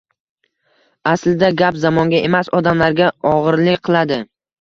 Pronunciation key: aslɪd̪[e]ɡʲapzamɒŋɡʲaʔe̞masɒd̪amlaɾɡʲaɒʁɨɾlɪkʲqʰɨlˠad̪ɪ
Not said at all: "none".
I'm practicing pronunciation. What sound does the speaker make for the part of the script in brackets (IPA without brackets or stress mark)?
a